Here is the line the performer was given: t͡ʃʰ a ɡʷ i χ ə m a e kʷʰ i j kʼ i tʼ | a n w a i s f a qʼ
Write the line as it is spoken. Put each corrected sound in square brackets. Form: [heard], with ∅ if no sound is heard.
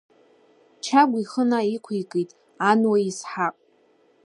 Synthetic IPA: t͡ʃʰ a ɡʷ i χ ə [n] a [i] kʷʰ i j kʼ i tʼ | a n w a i s [ħ] a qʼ